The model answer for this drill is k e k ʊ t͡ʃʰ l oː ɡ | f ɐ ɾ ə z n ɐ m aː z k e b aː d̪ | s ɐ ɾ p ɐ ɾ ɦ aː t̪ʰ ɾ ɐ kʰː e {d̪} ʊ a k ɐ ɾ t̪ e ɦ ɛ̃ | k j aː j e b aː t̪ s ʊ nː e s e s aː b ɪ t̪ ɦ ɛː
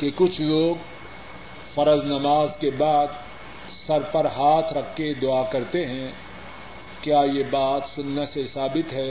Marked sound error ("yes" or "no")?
no